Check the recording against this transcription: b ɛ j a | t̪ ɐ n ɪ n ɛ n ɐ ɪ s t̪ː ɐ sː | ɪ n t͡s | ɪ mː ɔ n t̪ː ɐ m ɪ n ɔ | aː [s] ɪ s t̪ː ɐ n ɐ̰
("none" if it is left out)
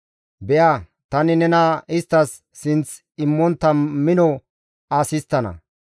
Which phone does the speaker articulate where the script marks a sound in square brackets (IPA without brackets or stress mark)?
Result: s